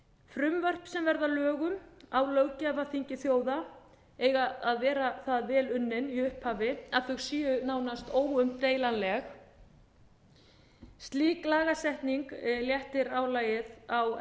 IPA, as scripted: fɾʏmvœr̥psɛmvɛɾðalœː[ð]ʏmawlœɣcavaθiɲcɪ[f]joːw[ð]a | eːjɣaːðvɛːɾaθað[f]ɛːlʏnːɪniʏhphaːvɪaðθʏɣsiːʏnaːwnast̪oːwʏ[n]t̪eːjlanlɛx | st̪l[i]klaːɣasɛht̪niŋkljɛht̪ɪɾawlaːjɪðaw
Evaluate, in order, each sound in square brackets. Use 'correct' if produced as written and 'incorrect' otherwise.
incorrect, incorrect, correct, incorrect, incorrect, incorrect

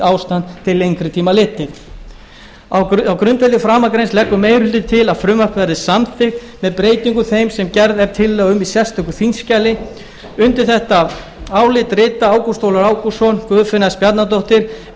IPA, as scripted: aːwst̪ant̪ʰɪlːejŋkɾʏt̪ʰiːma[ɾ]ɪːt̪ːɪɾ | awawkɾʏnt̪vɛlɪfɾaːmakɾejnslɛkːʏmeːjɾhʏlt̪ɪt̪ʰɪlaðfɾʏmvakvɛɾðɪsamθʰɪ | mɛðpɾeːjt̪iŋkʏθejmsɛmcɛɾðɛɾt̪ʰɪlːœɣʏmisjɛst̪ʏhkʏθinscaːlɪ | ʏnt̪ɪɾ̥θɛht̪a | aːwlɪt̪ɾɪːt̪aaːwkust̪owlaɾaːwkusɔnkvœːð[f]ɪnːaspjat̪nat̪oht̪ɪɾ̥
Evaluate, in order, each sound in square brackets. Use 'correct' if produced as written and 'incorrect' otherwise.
incorrect, correct

